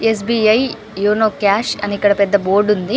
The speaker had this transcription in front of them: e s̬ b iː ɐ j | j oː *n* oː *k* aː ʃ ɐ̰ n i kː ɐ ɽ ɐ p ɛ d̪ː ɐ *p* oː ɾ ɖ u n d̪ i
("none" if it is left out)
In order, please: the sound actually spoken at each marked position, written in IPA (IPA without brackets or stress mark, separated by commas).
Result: n, k, b